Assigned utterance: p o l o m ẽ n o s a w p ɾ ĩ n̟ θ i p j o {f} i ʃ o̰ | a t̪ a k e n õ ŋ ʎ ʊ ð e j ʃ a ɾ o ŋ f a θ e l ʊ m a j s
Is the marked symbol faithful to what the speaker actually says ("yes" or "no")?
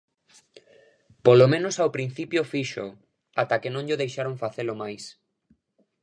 yes